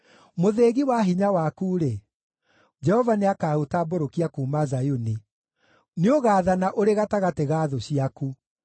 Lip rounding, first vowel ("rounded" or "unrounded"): rounded